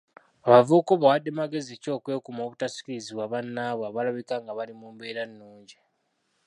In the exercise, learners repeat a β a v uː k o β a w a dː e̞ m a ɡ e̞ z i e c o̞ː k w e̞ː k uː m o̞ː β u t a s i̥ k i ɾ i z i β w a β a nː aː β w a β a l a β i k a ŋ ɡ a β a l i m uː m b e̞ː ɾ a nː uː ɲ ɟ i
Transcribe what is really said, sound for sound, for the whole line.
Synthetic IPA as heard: a β a v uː k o β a w a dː e̞ m a ɡ e̞ z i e c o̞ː k w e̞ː k u m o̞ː β u t a s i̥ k i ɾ i z i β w a β a nː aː β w a β a l a β i k a ŋ ɡ a β a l i m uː m b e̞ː ɾ a nː uː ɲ ɟ i